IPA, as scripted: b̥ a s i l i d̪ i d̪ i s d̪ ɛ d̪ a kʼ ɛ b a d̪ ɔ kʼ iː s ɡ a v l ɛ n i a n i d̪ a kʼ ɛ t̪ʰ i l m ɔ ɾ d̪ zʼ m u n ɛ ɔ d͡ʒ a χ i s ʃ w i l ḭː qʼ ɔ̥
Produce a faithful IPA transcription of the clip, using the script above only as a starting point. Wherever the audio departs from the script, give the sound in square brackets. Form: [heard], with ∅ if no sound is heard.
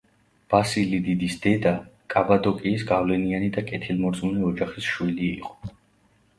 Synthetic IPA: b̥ a s i l i d̪ i d̪ i s d̪ ɛ d̪ a kʼ [a] b a d̪ ɔ kʼ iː s ɡ a v l ɛ n i a n i d̪ a kʼ ɛ t̪ʰ i l m ɔ ɾ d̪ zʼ m u n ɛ ɔ d͡ʒ a χ i s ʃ w i l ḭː qʼ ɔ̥